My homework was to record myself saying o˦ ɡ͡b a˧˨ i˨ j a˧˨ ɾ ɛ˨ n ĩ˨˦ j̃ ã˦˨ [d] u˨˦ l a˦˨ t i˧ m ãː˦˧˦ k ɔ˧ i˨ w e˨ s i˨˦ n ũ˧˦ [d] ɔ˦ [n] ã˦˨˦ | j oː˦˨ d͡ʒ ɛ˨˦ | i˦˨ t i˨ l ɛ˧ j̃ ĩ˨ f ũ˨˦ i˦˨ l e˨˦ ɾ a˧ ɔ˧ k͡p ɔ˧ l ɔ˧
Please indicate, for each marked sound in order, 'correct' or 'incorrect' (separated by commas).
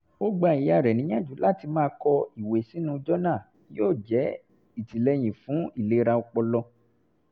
incorrect, incorrect, correct